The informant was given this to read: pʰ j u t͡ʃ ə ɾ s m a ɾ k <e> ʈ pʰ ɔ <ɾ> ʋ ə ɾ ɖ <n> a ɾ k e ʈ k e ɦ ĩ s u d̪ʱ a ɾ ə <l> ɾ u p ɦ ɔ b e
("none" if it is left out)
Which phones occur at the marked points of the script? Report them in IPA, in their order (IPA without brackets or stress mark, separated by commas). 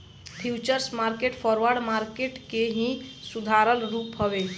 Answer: e, ɾ, m, l